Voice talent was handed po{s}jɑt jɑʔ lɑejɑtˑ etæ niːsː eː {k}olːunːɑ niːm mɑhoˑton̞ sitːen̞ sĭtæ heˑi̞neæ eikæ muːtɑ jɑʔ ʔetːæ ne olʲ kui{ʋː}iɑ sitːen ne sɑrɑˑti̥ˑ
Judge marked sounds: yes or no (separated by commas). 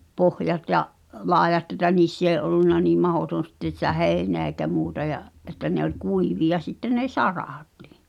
no, no, no